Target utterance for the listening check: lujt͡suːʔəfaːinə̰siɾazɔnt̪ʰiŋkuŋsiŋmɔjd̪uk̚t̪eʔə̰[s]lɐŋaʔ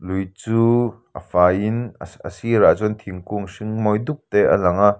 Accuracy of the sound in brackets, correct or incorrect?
incorrect